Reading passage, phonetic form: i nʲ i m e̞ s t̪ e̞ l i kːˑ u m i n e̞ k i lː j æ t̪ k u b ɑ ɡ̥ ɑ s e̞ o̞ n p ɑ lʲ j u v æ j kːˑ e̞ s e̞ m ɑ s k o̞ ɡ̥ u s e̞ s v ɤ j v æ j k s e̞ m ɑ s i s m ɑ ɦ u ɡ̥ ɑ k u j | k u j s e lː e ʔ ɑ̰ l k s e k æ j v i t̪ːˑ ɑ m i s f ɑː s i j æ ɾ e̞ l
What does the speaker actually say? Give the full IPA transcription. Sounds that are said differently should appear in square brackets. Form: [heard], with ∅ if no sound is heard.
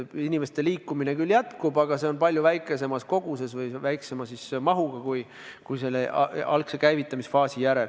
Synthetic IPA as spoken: i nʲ i m e̞ s t̪ e̞ l [iː] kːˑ u m i n e̞ k [y] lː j æ t̪ k u b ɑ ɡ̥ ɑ s e̞ o̞ n p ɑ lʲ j u v æ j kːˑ e̞ s e̞ m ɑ s k o̞ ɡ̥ u s e̞ s v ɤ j v æ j k s e̞ m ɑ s i s m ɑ ɦ u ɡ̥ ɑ k u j | k u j s e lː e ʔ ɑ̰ l k s e k æ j v i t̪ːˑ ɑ m i s f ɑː s i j æ ɾ e̞ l